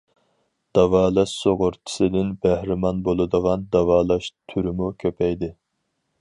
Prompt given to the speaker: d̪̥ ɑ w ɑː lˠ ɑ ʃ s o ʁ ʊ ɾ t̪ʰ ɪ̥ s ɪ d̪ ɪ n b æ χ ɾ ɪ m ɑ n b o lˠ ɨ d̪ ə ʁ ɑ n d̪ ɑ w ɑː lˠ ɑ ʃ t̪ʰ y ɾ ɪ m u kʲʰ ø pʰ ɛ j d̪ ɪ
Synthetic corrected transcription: d̪̥ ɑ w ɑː lˠ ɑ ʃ s o ʁ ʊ ɾ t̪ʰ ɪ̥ s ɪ d̪ ɪ n b æ h ɾ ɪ m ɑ n b o lˠ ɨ d̪ ə ʁ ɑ n d̪ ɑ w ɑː lˠ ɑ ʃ t̪ʰ y ɾ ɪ m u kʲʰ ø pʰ ɛ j d̪ ɪ